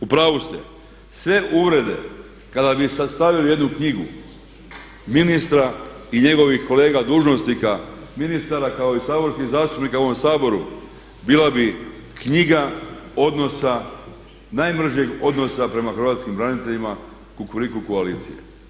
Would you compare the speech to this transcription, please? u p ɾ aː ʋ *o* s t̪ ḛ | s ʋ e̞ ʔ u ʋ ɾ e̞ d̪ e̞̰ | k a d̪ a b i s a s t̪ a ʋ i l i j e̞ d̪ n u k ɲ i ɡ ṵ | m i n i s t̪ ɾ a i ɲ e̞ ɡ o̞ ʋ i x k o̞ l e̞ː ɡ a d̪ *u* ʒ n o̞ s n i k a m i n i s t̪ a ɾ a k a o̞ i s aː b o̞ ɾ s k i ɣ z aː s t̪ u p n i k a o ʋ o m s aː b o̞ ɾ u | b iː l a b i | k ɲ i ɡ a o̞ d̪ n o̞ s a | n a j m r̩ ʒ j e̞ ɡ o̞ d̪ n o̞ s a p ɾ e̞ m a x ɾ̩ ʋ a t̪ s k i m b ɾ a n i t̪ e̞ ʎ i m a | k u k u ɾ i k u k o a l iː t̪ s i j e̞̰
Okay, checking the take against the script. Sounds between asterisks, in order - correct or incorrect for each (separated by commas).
incorrect, incorrect